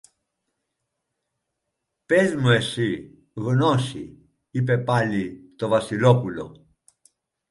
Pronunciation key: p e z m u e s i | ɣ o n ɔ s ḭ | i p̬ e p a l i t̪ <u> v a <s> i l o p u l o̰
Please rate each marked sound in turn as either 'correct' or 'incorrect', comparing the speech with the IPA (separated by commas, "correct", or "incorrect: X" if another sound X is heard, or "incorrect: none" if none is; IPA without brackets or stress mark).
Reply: incorrect: o, correct